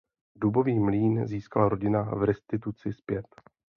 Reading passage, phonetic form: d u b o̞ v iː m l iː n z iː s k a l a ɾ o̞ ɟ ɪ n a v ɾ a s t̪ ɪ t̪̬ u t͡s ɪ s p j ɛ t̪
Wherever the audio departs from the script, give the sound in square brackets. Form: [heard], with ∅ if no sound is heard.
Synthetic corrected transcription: d u b o̞ v iː m l iː n z iː s k a l a ɾ o̞ ɟ ɪ n a v ɾ [ɛ] s t̪ ɪ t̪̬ u t͡s ɪ s p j ɛ t̪